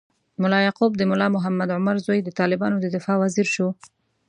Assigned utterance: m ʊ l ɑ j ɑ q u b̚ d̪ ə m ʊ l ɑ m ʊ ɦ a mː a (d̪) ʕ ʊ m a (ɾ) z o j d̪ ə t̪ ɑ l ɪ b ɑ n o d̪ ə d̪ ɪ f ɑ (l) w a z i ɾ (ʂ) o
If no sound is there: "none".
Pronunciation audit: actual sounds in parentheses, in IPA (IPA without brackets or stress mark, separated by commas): d̪, ɾ, none, ʃ